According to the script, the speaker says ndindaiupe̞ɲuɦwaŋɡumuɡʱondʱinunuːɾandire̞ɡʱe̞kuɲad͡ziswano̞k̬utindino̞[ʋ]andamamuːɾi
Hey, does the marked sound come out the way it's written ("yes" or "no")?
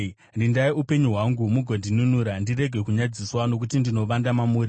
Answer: yes